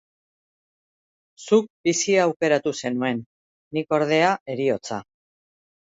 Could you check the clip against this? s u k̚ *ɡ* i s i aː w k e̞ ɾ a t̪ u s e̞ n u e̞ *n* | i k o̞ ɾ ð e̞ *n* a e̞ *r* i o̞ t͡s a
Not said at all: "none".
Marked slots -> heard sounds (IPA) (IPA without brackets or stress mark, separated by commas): b, nː, none, ɾ